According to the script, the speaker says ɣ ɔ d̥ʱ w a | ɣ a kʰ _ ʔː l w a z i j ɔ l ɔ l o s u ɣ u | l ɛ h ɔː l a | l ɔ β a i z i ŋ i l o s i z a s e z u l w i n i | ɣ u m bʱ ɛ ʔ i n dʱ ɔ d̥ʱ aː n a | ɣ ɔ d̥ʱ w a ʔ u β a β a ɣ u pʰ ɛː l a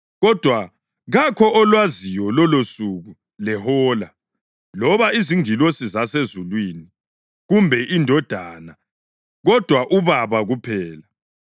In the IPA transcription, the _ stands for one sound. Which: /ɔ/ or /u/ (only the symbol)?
ɔ